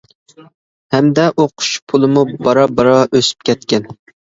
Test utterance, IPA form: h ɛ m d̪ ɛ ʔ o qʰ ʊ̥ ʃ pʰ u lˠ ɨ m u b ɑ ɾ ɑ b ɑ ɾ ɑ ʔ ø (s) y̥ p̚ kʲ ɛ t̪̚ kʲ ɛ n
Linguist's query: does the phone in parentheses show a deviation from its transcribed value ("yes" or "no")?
no